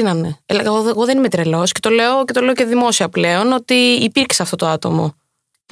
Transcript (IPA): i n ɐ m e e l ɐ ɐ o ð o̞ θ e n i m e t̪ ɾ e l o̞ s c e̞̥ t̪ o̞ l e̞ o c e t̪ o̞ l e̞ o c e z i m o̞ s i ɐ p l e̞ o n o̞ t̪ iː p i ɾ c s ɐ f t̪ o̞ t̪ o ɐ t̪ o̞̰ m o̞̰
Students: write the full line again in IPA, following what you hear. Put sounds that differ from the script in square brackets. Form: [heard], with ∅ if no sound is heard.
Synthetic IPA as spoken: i n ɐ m e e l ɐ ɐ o [ɣ] o̞ [ð] e n i m e t̪ ɾ e l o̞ s c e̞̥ t̪ o̞ l e̞ o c e t̪ o̞ l e̞ o c e [ð] i m o̞ s i ɐ p l e̞ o n o̞ t̪ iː p i ɾ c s ɐ f t̪ o̞ t̪ o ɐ t̪ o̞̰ m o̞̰